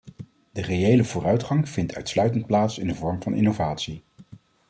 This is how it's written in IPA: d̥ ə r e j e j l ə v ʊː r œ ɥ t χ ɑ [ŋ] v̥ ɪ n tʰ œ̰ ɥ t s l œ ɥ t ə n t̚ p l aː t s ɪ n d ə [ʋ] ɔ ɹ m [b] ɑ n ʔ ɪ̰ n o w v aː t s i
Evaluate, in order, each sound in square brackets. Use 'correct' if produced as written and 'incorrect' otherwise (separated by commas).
correct, incorrect, incorrect